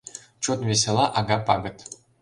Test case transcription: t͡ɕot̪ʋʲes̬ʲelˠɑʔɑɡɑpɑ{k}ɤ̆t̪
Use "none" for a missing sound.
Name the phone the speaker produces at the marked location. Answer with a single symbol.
ɡ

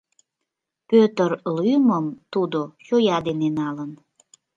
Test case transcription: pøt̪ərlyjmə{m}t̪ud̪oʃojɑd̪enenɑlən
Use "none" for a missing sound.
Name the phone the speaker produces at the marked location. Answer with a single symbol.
m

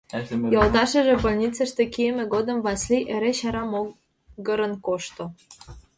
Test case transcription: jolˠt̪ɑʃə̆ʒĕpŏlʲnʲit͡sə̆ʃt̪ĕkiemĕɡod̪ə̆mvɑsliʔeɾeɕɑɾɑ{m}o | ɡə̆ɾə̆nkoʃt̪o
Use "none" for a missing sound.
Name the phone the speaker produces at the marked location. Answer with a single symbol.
m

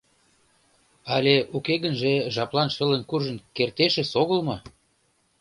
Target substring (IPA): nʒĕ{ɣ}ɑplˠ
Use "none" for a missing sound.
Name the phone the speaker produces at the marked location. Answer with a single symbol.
ʒ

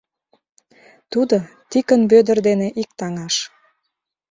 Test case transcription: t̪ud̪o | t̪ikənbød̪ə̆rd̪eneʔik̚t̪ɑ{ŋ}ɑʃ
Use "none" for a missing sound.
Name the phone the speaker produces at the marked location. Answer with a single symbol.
ŋ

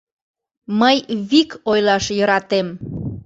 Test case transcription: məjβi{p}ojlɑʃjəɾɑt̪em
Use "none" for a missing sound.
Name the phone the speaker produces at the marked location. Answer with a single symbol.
k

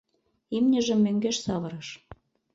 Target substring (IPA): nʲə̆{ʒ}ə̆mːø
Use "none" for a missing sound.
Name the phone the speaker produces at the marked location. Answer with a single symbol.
ʒ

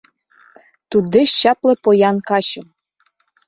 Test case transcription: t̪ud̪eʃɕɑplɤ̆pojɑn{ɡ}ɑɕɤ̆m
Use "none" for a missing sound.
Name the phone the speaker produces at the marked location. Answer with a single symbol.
k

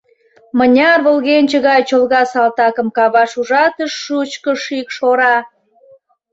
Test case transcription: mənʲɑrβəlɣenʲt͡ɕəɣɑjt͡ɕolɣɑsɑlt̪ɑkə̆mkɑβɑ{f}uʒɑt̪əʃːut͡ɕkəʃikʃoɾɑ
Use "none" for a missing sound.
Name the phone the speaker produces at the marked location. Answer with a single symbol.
ʃ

